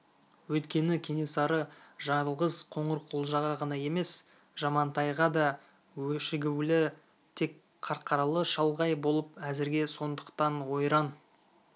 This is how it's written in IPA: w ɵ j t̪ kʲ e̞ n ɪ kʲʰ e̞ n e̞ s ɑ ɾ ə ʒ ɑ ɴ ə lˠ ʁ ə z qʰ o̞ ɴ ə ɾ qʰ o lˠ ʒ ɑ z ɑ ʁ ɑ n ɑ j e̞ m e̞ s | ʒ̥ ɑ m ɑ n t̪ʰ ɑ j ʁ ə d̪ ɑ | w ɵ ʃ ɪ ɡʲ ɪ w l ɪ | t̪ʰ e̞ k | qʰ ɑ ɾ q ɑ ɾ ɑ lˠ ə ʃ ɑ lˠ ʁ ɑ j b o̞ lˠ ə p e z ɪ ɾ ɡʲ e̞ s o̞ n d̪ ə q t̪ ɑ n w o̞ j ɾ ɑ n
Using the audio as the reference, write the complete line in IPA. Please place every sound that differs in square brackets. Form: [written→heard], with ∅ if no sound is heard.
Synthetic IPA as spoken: w ɵ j t̪ kʲ e̞ n ɪ kʲʰ e̞ n e̞ s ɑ ɾ ə ʒ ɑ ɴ ə lˠ ʁ ə z qʰ o̞ ɴ ə ɾ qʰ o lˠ ʒ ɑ [z→ʁ] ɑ ʁ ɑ n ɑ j e̞ m e̞ s | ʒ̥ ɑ m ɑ n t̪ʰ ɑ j ʁ [ə→ɑ] d̪ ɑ | w ɵ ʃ ɪ ɡʲ ɪ w l ɪ | t̪ʰ e̞ k | qʰ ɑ ɾ q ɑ ɾ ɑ lˠ ə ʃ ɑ lˠ ʁ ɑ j b o̞ lˠ ə p [e→æ] z ɪ ɾ ɡʲ e̞ s o̞ n d̪ ə q t̪ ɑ n w o̞ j ɾ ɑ n